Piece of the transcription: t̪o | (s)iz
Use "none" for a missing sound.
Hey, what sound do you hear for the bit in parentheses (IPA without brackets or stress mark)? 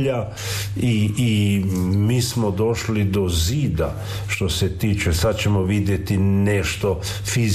f